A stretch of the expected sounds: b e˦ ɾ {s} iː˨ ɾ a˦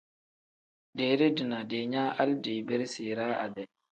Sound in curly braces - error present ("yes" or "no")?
no